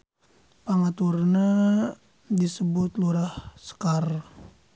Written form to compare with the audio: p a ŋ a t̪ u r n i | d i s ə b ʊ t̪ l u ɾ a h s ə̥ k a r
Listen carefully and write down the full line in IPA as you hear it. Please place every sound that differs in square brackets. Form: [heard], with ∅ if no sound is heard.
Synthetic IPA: p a ŋ a t̪ u r n [a] | d i s ə b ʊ t̪ l u ɾ a h s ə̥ k a r